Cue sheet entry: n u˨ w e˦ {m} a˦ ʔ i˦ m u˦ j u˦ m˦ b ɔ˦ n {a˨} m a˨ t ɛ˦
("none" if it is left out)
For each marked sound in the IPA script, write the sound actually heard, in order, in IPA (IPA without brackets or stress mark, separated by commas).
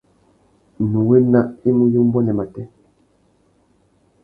n, ɛ˨